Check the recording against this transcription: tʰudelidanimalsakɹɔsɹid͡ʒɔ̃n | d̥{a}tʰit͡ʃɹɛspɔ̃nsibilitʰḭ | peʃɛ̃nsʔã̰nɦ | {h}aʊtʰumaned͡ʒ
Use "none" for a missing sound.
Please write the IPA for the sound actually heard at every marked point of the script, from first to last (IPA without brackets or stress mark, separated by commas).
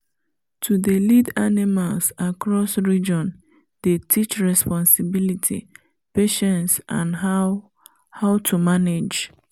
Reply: e, h